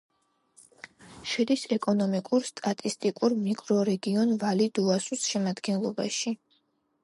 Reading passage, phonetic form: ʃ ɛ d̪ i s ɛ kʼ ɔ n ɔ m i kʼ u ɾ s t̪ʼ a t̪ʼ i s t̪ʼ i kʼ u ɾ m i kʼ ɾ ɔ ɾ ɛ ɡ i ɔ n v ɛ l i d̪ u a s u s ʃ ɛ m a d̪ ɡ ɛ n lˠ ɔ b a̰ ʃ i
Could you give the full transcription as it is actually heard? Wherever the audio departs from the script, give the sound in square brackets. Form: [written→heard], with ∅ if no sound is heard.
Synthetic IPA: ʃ ɛ d̪ i s ɛ kʼ ɔ n ɔ m i kʼ u ɾ s t̪ʼ a t̪ʼ i s t̪ʼ i kʼ u ɾ m i kʼ ɾ ɔ ɾ ɛ ɡ i ɔ n v [ɛ→a] l i d̪ u a s u s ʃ ɛ m a d̪ ɡ ɛ n lˠ ɔ b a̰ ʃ i